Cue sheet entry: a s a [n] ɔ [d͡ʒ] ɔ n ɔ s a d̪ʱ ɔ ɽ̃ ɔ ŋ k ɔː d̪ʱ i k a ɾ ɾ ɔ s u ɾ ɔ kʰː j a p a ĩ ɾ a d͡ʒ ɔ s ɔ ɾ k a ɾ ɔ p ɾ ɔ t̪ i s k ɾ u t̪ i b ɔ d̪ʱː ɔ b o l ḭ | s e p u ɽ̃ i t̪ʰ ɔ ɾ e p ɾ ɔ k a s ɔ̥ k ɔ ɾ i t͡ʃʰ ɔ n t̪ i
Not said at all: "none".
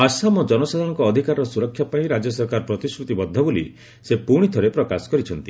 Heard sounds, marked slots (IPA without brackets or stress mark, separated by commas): m, d͡ʒ